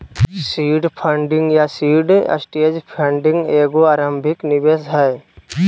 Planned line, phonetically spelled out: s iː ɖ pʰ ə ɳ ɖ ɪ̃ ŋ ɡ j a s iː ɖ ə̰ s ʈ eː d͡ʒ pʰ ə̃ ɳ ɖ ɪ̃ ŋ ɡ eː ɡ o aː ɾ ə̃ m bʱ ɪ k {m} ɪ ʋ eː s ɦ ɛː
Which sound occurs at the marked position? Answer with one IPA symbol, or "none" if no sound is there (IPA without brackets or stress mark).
n